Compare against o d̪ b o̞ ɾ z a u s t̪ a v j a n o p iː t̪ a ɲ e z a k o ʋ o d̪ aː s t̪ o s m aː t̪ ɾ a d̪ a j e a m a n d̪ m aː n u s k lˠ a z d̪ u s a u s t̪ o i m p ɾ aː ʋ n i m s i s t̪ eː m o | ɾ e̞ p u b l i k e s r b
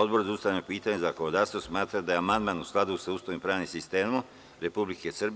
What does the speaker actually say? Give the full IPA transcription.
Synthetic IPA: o d̪ b o̞ ɾ z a u s t̪ a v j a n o p iː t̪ a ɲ e z a k o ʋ o d̪ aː s t̪ o s m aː t̪ ɾ a d̪ a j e a m a n d̪ m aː n u s k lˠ a d̪ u s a u s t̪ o i m p ɾ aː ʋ n i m s i s t̪ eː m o | ɾ e̞ p u b l i k e s r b